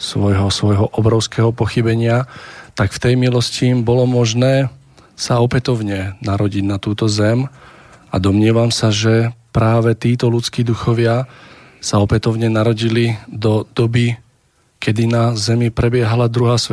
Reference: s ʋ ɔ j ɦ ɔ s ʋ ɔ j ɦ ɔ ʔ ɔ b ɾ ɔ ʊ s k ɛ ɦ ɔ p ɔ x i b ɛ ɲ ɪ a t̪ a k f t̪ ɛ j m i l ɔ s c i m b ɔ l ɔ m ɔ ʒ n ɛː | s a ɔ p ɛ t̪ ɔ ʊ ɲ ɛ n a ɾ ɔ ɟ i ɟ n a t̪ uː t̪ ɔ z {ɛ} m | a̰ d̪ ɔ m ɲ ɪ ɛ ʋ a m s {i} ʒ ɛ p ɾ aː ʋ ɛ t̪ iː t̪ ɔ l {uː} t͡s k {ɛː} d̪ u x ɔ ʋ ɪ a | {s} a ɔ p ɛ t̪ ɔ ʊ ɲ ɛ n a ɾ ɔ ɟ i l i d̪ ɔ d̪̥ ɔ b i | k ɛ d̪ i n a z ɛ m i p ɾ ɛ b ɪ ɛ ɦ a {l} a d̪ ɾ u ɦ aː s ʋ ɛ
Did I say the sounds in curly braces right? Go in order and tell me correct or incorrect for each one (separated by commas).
correct, incorrect, incorrect, incorrect, correct, correct